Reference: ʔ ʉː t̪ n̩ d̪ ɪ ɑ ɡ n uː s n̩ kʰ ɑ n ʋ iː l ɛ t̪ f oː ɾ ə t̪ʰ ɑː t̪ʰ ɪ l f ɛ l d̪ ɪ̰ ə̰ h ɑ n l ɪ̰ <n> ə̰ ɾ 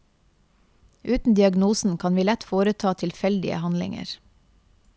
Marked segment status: incorrect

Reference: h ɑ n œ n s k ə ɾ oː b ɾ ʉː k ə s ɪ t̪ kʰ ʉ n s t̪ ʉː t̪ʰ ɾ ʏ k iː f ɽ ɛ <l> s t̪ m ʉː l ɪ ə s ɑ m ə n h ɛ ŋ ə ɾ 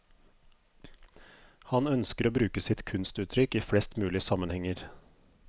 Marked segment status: incorrect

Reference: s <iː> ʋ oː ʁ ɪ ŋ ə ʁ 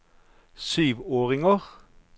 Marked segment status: incorrect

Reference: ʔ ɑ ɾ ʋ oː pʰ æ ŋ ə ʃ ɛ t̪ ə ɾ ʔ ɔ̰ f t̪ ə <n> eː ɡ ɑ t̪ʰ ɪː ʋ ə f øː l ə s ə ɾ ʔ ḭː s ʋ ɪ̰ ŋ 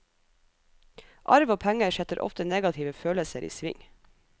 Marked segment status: correct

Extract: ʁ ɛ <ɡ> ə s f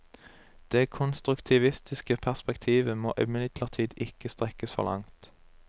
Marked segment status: incorrect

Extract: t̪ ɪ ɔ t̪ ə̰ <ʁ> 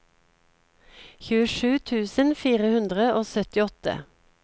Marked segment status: incorrect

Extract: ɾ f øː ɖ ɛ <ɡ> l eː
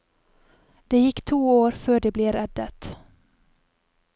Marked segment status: incorrect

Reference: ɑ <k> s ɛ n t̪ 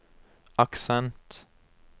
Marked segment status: correct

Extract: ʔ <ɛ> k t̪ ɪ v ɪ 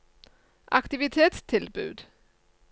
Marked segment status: incorrect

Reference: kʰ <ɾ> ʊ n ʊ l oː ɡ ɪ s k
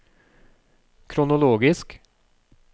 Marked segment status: correct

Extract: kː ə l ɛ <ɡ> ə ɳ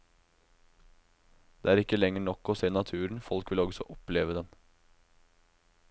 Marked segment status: incorrect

